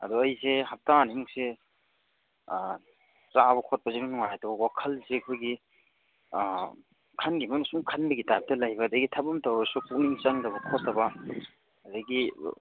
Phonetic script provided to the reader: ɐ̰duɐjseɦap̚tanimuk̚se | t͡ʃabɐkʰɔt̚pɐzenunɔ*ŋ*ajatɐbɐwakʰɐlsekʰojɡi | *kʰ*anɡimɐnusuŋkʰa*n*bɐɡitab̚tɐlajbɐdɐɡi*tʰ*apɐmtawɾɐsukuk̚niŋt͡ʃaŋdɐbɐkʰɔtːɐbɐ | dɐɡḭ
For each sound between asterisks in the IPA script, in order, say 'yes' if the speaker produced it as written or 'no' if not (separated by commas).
yes, yes, yes, yes